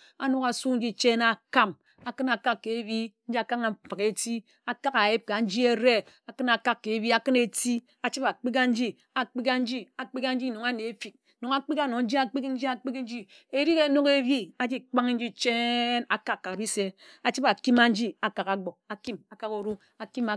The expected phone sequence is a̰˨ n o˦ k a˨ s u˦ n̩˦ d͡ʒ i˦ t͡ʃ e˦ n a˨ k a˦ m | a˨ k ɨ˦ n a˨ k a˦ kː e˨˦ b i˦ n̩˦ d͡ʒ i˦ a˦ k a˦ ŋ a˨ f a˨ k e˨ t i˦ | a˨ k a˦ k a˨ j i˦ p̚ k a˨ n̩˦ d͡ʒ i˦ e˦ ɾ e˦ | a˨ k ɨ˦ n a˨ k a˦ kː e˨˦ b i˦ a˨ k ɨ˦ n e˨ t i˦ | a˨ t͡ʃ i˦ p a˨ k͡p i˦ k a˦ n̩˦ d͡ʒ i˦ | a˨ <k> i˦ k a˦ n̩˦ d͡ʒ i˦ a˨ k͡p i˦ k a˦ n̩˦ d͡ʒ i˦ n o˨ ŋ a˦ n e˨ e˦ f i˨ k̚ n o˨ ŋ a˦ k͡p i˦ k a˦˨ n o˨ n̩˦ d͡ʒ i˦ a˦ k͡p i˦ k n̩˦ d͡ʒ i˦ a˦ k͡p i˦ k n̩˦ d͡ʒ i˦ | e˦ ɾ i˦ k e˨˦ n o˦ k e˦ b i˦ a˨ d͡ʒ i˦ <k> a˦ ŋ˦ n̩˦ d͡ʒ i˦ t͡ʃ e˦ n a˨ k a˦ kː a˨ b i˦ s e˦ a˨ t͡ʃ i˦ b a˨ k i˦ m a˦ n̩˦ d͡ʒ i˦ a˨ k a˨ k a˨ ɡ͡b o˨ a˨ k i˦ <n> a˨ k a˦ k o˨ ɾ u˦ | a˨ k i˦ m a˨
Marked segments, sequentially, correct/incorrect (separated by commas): incorrect, incorrect, incorrect